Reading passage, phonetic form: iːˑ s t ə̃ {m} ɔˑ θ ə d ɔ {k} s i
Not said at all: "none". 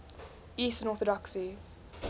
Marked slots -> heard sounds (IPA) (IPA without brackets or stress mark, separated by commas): n, k